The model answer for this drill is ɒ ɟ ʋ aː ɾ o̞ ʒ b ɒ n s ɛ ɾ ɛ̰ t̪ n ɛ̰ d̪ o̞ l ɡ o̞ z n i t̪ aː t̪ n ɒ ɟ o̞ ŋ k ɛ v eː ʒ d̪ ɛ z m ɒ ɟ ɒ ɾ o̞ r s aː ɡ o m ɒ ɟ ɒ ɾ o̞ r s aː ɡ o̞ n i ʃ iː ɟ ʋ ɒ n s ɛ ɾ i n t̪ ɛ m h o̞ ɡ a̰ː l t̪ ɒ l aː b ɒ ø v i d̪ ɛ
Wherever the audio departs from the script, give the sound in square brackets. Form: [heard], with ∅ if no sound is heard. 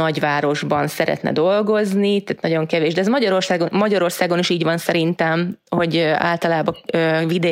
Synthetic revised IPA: ɒ ɟ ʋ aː ɾ o̞ ʒ b ɒ n s ɛ ɾ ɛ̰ t̪ n ɛ̰ d̪ o̞ l ɡ o̞ z n i t̪ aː t̪ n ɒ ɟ o̞ ŋ k ɛ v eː ʒ d̪ ɛ z m ɒ ɟ ɒ ɾ o̞ r s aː ɡ o m ɒ ɟ ɒ ɾ o̞ r s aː ɡ o̞ n i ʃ iː ɟ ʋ ɒ n s ɛ ɾ i n t̪ ɛ m h o̞ [ɟ] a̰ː l t̪ ɒ l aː b ɒ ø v i d̪ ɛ